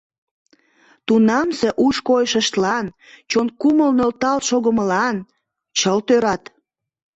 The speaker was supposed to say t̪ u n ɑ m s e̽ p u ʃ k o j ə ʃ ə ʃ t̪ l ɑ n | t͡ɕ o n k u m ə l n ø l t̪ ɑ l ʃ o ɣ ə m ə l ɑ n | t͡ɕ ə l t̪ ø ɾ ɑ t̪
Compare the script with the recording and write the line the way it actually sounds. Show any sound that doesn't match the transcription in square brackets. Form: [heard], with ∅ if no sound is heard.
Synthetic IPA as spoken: t̪ u n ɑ m s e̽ [ʔ] u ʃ k o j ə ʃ ə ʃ t̪ l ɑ n | t͡ɕ o n k u m ə l n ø l t̪ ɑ l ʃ o ɣ ə m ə l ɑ n | t͡ɕ ə l t̪ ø ɾ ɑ t̪